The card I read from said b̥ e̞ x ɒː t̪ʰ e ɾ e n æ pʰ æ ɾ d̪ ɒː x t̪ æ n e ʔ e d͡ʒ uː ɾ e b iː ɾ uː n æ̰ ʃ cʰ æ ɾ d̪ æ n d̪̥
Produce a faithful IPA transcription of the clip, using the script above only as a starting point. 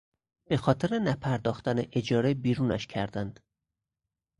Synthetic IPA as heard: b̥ e̞ x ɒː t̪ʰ e ɾ e n æ pʰ æ ɾ d̪ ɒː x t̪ æ n e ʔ e d͡ʒ ɒː ɾ e b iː ɾ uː n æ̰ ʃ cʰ æ ɾ d̪ æ n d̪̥

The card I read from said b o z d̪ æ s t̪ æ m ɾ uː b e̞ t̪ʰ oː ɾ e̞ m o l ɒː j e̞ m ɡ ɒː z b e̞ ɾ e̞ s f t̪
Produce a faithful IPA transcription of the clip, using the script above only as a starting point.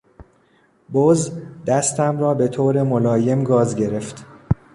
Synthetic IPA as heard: b o z d̪ æ s t̪ æ m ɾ ɒː b e̞ t̪ʰ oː ɾ e̞ m o l ɒː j e̞ m ɡ ɒː z ɟ e̞ ɾ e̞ f t̪

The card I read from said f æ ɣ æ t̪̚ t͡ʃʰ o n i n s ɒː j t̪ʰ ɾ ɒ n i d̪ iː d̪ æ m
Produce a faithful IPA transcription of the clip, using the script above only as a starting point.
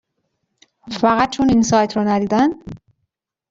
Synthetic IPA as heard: f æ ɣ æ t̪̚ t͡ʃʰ o n i n s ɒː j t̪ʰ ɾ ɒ n æ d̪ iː d̪ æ n

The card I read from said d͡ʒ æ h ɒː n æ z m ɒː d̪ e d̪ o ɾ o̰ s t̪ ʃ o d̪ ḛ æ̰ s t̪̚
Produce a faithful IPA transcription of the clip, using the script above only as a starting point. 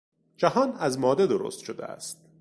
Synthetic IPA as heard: d͡ʒ æ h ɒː n æ z m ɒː d̪ e d̪ o ɾ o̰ s t̪ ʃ o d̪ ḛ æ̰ s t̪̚

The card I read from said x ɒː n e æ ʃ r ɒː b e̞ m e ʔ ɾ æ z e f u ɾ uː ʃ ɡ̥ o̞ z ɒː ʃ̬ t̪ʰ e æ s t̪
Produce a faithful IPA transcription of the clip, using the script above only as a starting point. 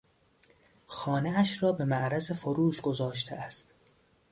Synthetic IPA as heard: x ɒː n e æ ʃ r ɒː b e̞ m æ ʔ ɾ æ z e f o ɾ uː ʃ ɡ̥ o̞ z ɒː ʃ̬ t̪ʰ e æ s t̪

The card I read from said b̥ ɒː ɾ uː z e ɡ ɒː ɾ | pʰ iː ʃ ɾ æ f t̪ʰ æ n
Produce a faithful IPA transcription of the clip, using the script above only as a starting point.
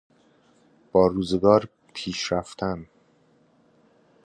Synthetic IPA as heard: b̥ ɒː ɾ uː z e ɡ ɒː ɾ | pʰ iː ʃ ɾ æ f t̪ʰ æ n

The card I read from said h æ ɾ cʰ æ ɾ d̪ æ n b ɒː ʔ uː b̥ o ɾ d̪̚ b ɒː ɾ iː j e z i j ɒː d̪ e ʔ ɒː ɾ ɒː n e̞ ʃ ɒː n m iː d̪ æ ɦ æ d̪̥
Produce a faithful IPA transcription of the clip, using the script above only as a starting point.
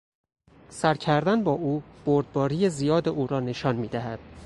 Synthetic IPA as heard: s æ ɾ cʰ æ ɾ d̪ æ n b ɒː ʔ uː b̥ o ɾ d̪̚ b ɒː ɾ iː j e z i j ɒː d̪ e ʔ uː ɾ ɒː n e̞ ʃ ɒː n m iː d̪ æ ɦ æ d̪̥

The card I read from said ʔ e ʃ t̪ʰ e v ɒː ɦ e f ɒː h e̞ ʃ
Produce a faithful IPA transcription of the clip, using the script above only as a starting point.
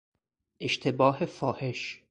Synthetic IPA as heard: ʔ e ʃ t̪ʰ e b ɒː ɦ e f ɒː h e̞ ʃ

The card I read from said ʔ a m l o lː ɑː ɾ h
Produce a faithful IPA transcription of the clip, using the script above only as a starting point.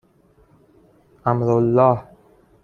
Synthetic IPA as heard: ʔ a m ɾ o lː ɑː h

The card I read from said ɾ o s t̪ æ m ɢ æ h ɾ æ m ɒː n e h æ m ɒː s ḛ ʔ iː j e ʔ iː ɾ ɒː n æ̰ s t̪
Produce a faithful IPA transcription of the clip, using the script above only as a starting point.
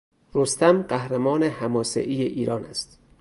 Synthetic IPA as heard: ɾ o s t̪ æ m ɢ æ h ɾ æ m ɒː n e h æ m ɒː s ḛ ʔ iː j e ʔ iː ɾ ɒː n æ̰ s t̪

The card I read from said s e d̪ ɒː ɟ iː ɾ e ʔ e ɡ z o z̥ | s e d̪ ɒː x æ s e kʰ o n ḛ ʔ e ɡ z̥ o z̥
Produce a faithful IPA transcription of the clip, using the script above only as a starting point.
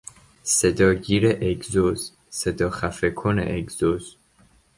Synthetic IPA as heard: s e d̪ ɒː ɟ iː ɾ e ʔ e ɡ z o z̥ | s e d̪ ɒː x æ f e kʰ o n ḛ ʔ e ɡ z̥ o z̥

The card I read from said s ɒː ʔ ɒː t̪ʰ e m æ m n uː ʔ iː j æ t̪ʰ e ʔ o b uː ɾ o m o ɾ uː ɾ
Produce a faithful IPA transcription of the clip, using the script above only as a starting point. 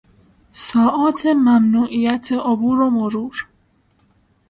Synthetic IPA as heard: s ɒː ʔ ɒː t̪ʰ e m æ m n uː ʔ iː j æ t̪ʰ e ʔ o b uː ɾ o m o ɾ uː ɾ

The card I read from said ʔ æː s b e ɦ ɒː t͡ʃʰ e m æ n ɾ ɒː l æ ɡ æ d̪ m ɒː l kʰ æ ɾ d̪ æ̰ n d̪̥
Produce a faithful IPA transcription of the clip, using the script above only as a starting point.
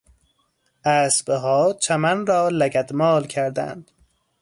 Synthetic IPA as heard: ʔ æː s b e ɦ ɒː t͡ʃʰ æ m æ n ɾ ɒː l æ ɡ æ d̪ m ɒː l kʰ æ ɾ d̪ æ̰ n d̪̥

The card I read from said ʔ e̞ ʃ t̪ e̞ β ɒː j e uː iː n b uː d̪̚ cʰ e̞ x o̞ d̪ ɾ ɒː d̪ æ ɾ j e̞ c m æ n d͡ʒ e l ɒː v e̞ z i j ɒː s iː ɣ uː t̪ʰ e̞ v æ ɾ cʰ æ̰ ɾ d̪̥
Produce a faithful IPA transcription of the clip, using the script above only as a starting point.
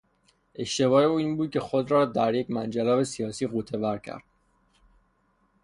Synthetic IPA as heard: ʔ e̞ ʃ t̪ e̞ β ɒː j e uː iː n b uː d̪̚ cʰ e̞ x o̞ d̪ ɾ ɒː d̪ æ ɾ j e̞ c m æ n d͡ʒ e l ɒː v e̞ s i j ɒː s iː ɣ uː t̪ʰ e̞ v æ ɾ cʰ æ̰ ɾ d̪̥

